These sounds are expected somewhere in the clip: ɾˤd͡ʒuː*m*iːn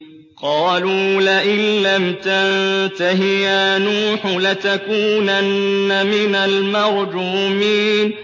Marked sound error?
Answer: no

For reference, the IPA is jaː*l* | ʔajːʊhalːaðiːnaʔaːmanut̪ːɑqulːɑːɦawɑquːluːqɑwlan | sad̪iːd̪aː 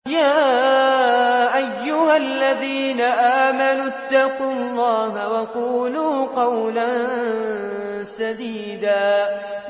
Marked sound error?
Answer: yes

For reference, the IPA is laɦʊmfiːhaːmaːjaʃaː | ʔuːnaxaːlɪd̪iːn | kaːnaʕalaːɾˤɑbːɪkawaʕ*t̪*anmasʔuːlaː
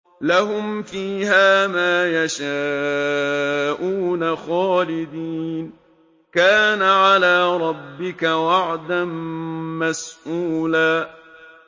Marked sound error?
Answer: yes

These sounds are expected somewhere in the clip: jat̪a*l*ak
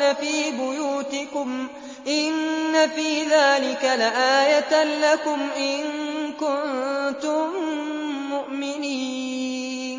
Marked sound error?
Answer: no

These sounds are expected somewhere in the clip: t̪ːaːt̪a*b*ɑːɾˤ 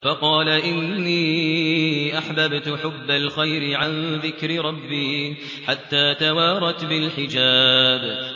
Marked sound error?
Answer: yes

